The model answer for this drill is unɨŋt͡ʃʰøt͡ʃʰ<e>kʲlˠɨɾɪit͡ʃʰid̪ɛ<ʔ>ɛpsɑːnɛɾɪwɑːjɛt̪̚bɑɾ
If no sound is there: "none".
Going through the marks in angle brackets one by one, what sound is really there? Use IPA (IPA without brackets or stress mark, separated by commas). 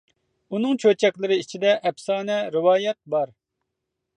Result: ɛ, ʔ